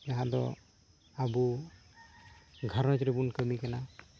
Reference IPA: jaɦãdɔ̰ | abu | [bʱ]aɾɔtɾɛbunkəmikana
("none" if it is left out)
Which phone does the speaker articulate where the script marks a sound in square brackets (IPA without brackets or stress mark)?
ɡʱ